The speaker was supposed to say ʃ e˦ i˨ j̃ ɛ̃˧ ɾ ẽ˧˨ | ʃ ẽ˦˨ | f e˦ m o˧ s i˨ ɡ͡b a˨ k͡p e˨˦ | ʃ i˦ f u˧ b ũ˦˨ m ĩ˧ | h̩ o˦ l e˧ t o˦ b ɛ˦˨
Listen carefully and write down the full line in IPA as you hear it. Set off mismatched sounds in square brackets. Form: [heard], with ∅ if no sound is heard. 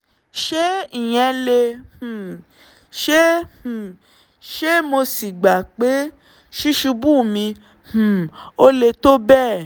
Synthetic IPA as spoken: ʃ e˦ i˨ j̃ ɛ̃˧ [l] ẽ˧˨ | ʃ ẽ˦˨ | [ʃ] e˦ m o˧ s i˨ ɡ͡b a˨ k͡p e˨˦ | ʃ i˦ [ʃ] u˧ b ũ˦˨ m ĩ˧ | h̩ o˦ l e˧ t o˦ b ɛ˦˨